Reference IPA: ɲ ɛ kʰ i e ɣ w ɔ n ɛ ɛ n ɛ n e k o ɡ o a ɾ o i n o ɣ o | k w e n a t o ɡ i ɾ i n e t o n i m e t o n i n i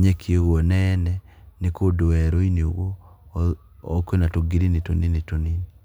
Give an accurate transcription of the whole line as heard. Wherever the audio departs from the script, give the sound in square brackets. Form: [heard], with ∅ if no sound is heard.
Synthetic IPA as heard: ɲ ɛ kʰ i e ɣ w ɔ n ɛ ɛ n ɛ n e k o [d] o [ɛ] ɾ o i n o ɣ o | k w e n a t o ɡ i ɾ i n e t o n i [n] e t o n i n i